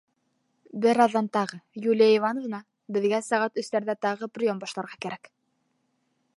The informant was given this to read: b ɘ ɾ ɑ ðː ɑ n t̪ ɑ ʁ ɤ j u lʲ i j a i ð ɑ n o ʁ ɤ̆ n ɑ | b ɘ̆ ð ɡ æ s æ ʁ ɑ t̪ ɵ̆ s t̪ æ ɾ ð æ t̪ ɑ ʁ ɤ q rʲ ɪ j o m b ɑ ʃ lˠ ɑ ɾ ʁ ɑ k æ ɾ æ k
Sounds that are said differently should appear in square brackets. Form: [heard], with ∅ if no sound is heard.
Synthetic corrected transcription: b ɘ ɾ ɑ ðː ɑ n t̪ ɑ ʁ ɤ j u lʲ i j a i [v] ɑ n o [v] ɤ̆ n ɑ | b ɘ̆ ð ɡ æ s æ ʁ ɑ t̪ ɵ̆ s t̪ æ ɾ ð æ t̪ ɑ ʁ ɤ [p] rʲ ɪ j o m b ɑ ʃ lˠ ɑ ɾ ʁ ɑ k æ ɾ æ k